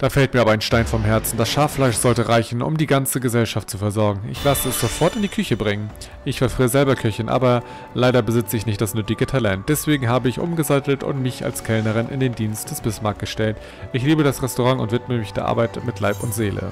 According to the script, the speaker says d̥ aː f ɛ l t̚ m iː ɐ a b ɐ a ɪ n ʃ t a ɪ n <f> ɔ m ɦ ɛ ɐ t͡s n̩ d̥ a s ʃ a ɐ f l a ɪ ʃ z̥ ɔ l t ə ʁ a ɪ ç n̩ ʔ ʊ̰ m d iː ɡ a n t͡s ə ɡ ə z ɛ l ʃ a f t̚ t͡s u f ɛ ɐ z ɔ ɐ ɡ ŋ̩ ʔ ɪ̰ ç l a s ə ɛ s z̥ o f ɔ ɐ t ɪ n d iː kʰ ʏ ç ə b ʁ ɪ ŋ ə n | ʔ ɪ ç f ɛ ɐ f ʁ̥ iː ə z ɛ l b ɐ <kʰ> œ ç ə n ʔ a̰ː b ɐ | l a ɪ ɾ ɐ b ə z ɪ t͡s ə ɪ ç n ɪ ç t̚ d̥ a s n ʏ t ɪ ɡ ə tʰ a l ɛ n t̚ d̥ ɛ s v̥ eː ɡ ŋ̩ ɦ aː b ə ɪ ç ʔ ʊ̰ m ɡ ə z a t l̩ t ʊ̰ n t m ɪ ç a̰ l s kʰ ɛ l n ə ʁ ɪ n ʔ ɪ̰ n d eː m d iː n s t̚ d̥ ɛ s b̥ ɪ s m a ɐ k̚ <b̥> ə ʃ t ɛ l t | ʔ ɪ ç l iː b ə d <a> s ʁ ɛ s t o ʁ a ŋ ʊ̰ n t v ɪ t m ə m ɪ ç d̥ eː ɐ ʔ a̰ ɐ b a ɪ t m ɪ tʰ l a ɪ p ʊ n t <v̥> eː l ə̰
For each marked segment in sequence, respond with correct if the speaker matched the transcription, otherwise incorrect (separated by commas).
correct, correct, incorrect, correct, incorrect